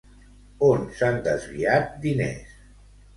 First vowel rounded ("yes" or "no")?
yes